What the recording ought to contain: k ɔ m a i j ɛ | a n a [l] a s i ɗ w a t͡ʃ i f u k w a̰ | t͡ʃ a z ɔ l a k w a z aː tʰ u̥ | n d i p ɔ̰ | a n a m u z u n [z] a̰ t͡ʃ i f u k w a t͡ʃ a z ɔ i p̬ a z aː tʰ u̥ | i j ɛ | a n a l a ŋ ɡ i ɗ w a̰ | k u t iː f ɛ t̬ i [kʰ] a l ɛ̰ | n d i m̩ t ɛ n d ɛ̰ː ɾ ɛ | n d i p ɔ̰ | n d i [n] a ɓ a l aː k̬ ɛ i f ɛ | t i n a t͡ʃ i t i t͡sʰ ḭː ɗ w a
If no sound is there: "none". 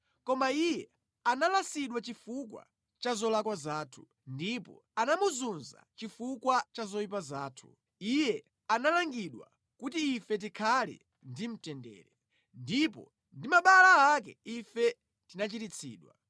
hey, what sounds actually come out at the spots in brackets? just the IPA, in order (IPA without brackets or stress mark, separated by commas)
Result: l, z, kʰ, m